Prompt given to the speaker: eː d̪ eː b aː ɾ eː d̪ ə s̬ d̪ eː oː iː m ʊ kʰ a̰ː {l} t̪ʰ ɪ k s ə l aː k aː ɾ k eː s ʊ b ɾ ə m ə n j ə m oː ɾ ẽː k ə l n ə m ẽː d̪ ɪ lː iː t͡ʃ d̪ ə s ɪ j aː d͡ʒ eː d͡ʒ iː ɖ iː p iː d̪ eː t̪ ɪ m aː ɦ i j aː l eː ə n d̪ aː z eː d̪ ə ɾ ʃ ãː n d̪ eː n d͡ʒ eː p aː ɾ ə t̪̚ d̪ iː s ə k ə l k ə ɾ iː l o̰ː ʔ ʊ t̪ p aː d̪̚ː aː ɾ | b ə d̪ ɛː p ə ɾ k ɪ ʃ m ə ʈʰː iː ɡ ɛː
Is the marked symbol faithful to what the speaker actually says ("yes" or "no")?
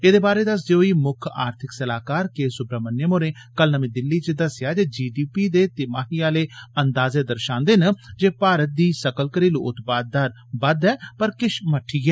no